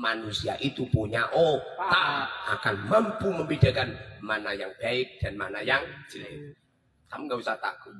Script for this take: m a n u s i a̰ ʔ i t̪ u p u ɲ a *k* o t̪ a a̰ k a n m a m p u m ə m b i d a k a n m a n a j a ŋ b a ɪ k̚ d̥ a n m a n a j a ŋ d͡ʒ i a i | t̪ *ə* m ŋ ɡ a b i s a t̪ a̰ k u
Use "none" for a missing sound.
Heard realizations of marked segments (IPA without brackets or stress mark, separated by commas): ʔ, a